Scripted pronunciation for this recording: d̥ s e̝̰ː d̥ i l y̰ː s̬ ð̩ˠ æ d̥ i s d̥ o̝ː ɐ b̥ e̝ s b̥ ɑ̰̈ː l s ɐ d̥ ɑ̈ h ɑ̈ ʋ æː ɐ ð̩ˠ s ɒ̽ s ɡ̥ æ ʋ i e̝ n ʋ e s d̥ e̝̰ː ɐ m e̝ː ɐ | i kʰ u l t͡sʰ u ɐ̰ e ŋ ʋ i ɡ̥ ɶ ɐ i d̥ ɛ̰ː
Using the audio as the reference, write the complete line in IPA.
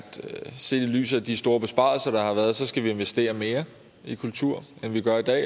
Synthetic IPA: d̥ s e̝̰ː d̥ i l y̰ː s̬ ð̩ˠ æ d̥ i s d̥ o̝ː ɐ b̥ e̝ s b̥ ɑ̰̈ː l s ɐ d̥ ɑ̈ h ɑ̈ ʋ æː ɐ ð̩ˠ s ɒ̽ s ɡ̥ æ ʋ i e̝ n ʋ e s d̥ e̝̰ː ɐ m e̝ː ɐ | i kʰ u l t͡sʰ u ɐ̰ e n ʋ i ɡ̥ ɶ ɐ i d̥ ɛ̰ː

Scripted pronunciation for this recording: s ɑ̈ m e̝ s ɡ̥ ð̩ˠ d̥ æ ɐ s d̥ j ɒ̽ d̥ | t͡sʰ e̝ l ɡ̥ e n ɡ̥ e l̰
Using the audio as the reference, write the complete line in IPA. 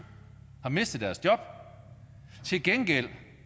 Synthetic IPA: h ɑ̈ m e̝ s d̥ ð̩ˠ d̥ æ ɐ s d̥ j ɒ̽ b̥ | t͡sʰ e̝ l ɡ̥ e n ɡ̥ e l̰

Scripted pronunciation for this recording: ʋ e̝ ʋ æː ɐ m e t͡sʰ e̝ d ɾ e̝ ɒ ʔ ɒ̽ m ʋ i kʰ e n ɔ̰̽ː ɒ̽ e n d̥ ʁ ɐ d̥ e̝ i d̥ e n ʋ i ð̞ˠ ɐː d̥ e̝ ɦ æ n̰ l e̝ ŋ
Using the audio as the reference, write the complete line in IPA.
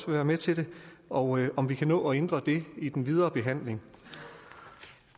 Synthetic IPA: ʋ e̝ ʋ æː ɐ m e t͡sʰ e̝ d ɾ e̝ ɒ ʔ ɒ̽ m ʋ i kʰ æ n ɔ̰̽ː ɒ̽ e n d̥ ʁ ɐ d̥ e̝ i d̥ e n ʋ i ð̞ˠ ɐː b̥ e̝ ɦ æ n̰ l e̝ ŋ

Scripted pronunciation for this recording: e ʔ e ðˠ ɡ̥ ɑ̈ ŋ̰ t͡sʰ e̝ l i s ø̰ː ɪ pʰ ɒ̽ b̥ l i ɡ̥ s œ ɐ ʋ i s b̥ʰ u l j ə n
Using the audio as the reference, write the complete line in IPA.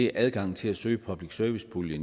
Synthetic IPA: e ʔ æ ðˠ ɡ̥ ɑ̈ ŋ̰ t͡sʰ e̝ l æ s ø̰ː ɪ pʰ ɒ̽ b̥ l i ɡ̥ s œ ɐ ʋ i s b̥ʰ u l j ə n

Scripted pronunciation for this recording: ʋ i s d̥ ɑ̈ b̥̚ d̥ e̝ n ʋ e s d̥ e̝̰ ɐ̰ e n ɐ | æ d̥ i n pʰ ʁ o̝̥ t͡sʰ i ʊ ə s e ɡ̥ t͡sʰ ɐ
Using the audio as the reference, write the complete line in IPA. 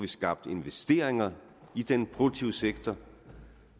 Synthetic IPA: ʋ i s ɡ̥ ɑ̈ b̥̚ d̥ e̝ n ʋ e s d̥ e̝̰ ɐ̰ e ŋ ɐ | i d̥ e n pʰ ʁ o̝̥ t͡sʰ i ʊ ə s e ɡ̥ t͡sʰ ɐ

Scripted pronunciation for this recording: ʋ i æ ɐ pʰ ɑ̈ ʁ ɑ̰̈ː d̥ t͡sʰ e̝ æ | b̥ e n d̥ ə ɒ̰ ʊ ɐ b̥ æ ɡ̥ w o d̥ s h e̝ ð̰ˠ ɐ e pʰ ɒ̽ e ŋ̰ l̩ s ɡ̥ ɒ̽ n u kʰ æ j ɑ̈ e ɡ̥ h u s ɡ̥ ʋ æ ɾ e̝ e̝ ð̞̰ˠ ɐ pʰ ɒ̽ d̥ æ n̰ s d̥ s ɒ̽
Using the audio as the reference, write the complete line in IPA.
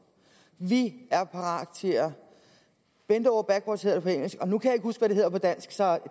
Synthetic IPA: ʋ i æ ɐ pʰ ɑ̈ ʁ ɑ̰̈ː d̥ t͡sʰ e̝ æ | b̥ e n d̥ ə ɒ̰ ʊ ɐ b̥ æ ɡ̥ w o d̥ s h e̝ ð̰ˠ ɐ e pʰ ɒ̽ e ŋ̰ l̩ s ɡ̥ ɒ̽ n u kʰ æ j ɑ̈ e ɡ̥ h u s ɡ̥ ʋ æ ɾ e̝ e̝ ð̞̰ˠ ɐ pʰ ɒ̽ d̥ æ n̰ s ɡ̥ s ɒ̽

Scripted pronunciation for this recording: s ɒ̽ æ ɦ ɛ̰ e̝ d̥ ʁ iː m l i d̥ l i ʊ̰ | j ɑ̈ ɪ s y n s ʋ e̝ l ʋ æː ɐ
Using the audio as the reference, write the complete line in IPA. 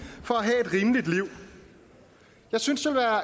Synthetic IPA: f ɒ̽ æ ɦ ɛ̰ e̝ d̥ ʁ iː m l i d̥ l i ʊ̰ | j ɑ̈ ɪ s y n s ʋ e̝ l ʋ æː ɐ

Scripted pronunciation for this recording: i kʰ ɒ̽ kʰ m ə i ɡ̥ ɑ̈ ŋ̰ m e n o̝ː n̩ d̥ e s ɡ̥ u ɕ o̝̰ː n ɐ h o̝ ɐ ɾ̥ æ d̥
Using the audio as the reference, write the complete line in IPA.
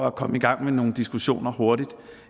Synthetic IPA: æ kʰ ɒ̽ m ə i ɡ̥ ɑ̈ ŋ̰ m e n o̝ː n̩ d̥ i s ɡ̥ u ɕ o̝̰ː n ɐ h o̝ ɐ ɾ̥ i d̥

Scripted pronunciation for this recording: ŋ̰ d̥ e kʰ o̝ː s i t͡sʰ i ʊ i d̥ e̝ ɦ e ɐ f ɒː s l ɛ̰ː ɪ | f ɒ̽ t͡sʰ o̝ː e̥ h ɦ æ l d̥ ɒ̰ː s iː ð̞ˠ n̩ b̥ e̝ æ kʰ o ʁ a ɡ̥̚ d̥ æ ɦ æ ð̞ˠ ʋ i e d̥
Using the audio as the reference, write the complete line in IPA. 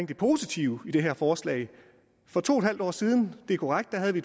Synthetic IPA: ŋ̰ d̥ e pʰ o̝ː s i t͡sʰ i ʊ i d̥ e̝ ɦ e ɐ f ɒː s l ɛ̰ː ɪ | f ɒ̽ t͡sʰ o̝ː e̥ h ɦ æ l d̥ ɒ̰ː s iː ð̞ˠ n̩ d̥ e̝ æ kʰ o ʁ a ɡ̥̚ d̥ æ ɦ æ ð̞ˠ ʋ i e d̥

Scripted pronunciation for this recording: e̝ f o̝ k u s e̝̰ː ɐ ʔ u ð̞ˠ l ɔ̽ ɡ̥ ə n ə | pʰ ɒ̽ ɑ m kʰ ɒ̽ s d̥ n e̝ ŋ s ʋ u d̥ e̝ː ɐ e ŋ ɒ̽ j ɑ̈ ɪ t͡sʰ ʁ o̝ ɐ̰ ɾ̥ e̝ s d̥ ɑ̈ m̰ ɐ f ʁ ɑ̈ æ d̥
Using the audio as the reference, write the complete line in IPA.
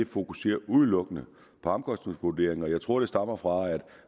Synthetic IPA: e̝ f o̝ k u s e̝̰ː ɐ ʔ u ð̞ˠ l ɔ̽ ɡ̥ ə n ə | pʰ ɒ̽ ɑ m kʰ ɒ̽ s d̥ n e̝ ŋ s ʋ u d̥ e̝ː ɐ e ŋ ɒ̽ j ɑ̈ ɪ t͡sʰ ʁ o̝ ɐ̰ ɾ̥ e̝ s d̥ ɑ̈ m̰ ɐ f ʁ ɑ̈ æ d̥

